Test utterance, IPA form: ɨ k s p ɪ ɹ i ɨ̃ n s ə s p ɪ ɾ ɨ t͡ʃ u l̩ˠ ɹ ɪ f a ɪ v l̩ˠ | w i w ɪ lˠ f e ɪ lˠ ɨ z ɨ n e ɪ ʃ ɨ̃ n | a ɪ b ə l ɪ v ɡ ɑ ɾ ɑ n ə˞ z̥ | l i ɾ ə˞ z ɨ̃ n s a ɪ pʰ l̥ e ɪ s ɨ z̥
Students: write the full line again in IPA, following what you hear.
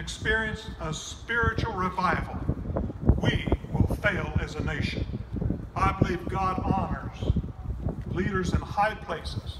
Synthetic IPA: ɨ k s p ɪ ɹ i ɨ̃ n s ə s p ɪ ɹ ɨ t͡ʃ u l̩ˠ ɹ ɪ v a ɪ v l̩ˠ | w i w ɪ lˠ f e ɪ lˠ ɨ z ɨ n e ɪ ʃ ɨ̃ n | a ɪ b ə l i v ɡ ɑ ɾ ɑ n ə˞ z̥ | l i ɾ ə˞ z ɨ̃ n h a ɪ pʰ l̥ e ɪ s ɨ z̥

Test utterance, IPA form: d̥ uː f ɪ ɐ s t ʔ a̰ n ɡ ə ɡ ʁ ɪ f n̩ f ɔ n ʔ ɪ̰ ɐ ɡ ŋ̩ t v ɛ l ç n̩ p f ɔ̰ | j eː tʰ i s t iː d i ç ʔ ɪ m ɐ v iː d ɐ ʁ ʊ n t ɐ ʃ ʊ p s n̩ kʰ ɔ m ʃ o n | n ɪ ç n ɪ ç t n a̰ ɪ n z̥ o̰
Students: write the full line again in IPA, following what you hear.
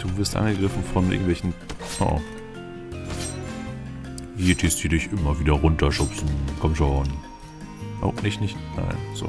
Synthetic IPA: d̥ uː v ɪ ɐ s t ʔ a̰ n ɡ ə ɡ ʁ ɪ f n̩ f ɔ n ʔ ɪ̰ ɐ ɡ ŋ̩ t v ɛ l ç n̩ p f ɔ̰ | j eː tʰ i s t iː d ɪ ç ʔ ɪ m ɐ v iː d ɐ ʁ ʊ n t ɐ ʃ ʊ p s n̩ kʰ ɔ m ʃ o n | n ɪ ç n ɪ ç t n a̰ ɪ n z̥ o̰

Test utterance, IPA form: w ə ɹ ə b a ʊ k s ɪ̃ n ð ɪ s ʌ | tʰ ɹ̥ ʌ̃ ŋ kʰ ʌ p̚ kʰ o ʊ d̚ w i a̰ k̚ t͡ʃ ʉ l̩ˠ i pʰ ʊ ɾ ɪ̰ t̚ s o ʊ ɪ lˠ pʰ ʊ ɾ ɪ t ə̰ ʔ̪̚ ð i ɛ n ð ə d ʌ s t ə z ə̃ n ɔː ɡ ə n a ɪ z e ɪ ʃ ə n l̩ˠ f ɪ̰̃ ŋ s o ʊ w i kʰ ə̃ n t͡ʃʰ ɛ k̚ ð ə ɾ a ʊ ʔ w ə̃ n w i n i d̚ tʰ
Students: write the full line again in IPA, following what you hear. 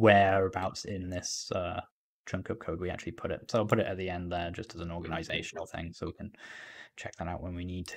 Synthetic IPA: w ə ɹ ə b a ʊ t s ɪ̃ n ð ɪ s ʌ | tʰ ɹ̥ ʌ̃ ŋ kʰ ʌ p̚ kʰ o ʊ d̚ w i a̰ k̚ t͡ʃ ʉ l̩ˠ i pʰ ʊ ɾ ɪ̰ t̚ s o ʊ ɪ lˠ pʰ ʊ ɾ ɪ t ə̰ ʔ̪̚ ð i ɛ̃ n ð ə d͡ʒ ʌ s t ə z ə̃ n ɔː ɡ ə n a ɪ z e ɪ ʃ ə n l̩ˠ θ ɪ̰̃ ŋ s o ʊ w i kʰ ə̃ n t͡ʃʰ ɛ k̚ ð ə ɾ a ʊ ʔ w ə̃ n w i n i d̚ tʰ

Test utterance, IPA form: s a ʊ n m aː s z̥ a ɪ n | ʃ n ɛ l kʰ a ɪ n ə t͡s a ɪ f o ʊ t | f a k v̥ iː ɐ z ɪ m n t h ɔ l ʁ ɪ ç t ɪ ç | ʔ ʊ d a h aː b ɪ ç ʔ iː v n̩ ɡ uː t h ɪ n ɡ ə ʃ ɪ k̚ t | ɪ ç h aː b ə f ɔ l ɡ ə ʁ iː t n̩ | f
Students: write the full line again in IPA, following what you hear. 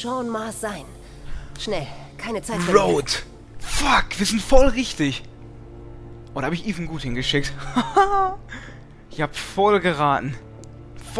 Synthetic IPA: ʃ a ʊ n m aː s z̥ a ɪ n | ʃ n ɛ l kʰ a ɪ n ə t͡s a ɪ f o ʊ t | f a k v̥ iː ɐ z ɪ n t f ɔ l ʁ ɪ ç t ɪ ç | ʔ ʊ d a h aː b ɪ ç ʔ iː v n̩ ɡ uː t h ɪ n ɡ ə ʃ ɪ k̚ t | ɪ ç h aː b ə f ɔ l ɡ ə ʁ aː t n̩ | f

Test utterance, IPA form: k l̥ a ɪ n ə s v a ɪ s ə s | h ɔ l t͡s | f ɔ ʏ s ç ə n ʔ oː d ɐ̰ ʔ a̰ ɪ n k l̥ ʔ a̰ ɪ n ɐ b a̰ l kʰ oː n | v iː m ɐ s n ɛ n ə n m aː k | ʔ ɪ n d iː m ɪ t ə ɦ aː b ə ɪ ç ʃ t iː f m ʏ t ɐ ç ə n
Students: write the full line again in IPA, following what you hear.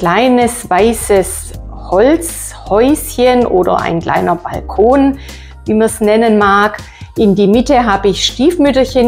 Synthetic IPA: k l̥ a ɪ n ə s v a ɪ s ə s | h ɔ l t͡s | h ɔ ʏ s ç ə n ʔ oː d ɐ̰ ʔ a̰ ɪ n k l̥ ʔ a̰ ɪ n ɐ b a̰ l kʰ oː n | v iː m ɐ s n ɛ n ə n m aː k | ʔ ɪ n d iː m ɪ t ə ɦ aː b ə ɪ ç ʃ t iː f m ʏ t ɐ ç ə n

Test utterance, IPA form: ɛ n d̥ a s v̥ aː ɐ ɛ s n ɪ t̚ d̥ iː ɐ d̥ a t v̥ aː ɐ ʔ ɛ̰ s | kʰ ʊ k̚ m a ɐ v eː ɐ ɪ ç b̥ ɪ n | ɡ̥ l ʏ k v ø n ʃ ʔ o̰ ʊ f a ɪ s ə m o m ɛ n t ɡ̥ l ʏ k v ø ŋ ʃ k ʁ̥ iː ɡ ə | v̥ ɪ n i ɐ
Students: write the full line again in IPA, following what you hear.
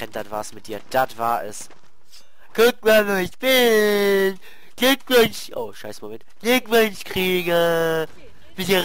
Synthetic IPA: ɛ n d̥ a t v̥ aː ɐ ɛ s m ɪ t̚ d̥ iː ɐ d̥ a t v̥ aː ɐ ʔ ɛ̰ s | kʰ ʊ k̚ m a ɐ v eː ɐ ɪ ç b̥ ɪ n | ɡ̥ l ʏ k v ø n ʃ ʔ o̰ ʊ ʃ a ɪ s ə m o m ɛ n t ɡ̥ l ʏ k v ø n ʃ k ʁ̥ iː ɡ ə | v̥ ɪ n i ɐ

